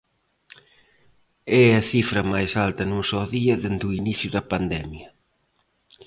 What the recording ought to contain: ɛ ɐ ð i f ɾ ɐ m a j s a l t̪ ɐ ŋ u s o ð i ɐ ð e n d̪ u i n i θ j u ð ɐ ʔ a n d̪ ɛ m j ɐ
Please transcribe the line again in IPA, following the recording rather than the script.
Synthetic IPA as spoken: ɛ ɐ θ i f ɾ ɐ m a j s a l t̪ ɐ n u s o ð i ɐ ð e n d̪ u i n i θ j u ð ɐ p a n d̪ ɛ m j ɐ